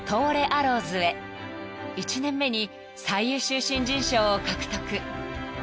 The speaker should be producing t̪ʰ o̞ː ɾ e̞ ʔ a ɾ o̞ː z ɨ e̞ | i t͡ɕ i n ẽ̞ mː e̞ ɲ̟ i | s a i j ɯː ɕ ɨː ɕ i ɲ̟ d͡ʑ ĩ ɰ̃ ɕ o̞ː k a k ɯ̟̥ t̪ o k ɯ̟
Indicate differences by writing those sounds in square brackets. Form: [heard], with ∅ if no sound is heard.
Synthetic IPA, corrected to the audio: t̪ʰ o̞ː ɾ e̞ ʔ a ɾ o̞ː z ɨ e̞ | i t͡ɕ i n ẽ̞ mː e̞ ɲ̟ i | s a i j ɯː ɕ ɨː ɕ [ĩ] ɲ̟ d͡ʑ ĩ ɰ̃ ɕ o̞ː k a k ɯ̟̥ t̪ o k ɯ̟